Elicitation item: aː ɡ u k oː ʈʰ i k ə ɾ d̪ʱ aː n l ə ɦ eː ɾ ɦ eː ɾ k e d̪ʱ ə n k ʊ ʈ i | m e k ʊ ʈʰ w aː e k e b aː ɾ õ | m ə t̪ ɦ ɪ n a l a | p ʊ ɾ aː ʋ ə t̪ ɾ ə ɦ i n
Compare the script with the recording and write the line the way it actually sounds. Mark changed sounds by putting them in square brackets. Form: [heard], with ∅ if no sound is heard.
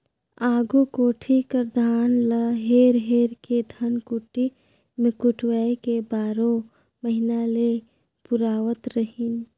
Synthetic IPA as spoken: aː ɡ u k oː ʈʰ i k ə ɾ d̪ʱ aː n l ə ɦ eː ɾ ɦ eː ɾ k e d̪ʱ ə n k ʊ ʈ i | m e k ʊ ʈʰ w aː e k e b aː ɾ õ | m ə [∅] ɦ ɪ n a l [e] | p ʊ ɾ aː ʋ ə t̪ ɾ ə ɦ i n

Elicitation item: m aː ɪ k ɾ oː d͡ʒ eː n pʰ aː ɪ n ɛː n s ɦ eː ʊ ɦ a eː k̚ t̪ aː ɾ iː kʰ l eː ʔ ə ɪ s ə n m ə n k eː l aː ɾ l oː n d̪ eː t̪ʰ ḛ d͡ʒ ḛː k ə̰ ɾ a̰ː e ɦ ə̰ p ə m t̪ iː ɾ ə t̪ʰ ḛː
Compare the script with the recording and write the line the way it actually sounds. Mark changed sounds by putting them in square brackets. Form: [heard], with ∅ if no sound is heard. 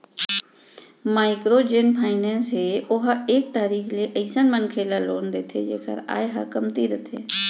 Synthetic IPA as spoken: m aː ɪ k ɾ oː d͡ʒ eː n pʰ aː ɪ n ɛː n s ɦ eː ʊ ɦ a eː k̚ t̪ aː ɾ iː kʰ l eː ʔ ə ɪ s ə n m ə n [kʰ] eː l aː [∅] l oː n d̪ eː t̪ʰ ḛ d͡ʒ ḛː k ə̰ ɾ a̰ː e ɦ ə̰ [k] ə m t̪ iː ɾ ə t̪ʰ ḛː

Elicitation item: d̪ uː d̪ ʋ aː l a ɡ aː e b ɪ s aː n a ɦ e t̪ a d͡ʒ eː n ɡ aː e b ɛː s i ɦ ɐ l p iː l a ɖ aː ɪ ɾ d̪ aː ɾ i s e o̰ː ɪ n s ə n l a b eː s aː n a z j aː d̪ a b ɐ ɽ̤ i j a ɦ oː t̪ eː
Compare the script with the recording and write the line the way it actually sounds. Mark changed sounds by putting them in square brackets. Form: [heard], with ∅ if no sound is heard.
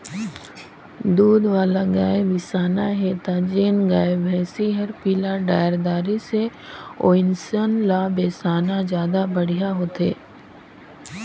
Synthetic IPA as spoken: d̪ uː d̪ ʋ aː l a ɡ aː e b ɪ s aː n a ɦ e t̪ a d͡ʒ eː n ɡ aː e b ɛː s i ɦ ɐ [ɾ] p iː l a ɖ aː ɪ ɾ d̪ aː ɾ i s e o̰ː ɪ n s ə n l a b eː s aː n a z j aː d̪ a b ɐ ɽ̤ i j a ɦ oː t̪ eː

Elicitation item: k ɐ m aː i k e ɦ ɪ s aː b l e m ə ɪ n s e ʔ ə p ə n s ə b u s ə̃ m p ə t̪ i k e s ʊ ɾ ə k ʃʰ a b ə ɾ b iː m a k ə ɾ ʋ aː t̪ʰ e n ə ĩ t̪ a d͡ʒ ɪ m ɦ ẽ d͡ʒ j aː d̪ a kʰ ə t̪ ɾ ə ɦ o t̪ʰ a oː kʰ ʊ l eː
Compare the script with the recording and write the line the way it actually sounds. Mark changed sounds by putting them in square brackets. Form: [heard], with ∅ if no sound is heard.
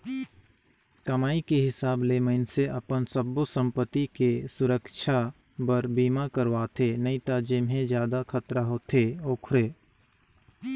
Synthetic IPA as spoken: k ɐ m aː i k e ɦ ɪ s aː b l e m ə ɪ n s e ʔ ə p ə n s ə b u s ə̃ m p ə t̪ i k e s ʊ ɾ ə k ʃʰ a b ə ɾ b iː m a k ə ɾ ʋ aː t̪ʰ e n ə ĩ t̪ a d͡ʒ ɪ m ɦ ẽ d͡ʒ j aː d̪ a kʰ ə t̪ ɾ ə ɦ o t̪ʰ [e] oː kʰ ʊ [ɾ] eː

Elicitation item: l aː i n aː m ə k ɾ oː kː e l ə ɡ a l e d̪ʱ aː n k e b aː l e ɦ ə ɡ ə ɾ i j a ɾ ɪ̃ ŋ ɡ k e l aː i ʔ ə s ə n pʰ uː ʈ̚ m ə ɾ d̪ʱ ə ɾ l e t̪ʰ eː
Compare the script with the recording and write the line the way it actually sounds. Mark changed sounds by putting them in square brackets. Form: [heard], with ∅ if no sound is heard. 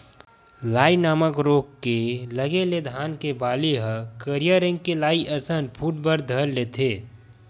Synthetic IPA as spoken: l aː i n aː m ə k ɾ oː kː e l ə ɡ [e] l e d̪ʱ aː n k e b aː l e ɦ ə [k] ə ɾ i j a ɾ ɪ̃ ŋ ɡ k e l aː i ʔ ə s ə n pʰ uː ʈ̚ [b] ə ɾ d̪ʱ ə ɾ l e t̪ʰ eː

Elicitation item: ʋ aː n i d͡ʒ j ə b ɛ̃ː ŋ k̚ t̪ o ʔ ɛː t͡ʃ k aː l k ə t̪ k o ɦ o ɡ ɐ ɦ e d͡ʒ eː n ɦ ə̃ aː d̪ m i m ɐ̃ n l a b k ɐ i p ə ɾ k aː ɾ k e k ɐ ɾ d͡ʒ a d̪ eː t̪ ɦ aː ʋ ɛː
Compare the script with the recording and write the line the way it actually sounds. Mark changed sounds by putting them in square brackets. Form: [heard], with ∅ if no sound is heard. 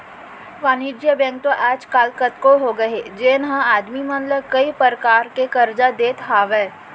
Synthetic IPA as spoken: ʋ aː n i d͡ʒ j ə b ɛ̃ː ŋ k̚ t̪ o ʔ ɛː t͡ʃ k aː l k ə t̪ k o ɦ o ɡ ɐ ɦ e d͡ʒ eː n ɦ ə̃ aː d̪ m i m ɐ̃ n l [ə] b k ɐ i p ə ɾ k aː ɾ k e k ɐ ɾ d͡ʒ a d̪ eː t̪ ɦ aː ʋ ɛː

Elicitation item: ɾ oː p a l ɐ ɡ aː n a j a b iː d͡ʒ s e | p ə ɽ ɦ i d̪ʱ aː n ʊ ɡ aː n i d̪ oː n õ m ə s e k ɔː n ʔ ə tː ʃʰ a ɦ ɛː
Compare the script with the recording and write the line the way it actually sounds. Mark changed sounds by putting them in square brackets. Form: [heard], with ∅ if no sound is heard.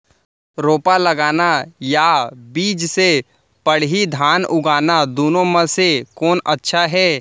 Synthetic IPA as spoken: ɾ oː p a l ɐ ɡ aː n a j a b iː d͡ʒ s e | p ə ɽ ɦ i d̪ʱ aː n ʊ ɡ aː n [a] d̪ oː n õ m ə s e k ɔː n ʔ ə tː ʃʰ a ɦ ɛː

